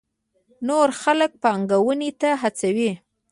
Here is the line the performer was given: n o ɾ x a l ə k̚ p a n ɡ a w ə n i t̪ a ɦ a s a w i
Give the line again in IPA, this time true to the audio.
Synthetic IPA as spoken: n o ɾ x a l ə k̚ p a ŋ ɡ a w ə n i t̪ a ɦ a t͡s a w i